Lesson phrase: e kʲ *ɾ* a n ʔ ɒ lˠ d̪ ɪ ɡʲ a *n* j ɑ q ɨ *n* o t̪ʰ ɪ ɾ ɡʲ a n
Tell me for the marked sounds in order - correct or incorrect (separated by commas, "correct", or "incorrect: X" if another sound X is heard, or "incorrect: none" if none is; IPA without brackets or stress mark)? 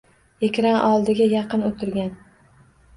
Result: correct, incorrect: none, correct